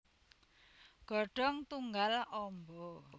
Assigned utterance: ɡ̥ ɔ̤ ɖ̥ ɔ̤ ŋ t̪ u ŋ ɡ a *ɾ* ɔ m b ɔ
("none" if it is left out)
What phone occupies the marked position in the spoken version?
l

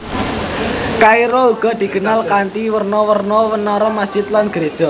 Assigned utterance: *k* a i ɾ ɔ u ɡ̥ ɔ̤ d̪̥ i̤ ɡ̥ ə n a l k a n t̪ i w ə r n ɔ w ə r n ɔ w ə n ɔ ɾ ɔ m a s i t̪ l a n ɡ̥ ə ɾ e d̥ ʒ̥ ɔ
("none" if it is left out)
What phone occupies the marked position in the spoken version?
k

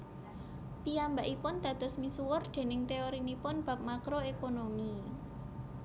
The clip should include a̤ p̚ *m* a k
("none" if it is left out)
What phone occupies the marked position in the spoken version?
m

